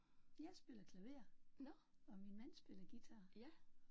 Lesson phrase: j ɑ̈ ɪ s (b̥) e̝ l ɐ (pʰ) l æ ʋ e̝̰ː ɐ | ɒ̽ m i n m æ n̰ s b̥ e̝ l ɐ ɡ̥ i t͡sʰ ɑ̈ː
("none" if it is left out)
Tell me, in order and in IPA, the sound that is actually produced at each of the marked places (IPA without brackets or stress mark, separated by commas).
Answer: b̥, kʰ